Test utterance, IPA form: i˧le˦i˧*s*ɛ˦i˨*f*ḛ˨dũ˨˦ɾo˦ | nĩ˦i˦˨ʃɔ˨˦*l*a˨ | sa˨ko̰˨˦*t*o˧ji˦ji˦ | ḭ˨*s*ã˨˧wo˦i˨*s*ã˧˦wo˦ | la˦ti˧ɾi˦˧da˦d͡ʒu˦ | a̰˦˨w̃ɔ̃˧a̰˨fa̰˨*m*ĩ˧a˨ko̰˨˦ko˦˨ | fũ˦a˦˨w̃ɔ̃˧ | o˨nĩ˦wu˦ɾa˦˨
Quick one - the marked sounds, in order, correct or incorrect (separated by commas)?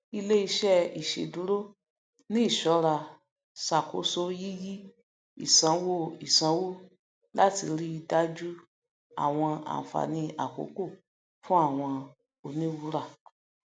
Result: incorrect, incorrect, incorrect, incorrect, correct, correct, incorrect